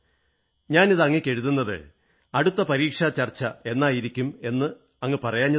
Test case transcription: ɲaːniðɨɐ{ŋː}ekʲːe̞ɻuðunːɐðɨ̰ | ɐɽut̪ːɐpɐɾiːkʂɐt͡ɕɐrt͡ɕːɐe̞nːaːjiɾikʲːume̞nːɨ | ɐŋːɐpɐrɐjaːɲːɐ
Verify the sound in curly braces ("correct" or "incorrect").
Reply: correct